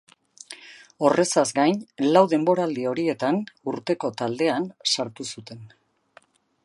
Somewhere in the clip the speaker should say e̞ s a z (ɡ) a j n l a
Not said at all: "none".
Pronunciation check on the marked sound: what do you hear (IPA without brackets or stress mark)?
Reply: ɡ